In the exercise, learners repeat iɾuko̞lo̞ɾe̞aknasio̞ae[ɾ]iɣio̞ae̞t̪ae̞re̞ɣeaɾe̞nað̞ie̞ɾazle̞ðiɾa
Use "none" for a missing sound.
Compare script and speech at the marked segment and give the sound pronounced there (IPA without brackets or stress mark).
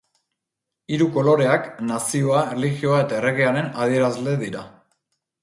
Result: l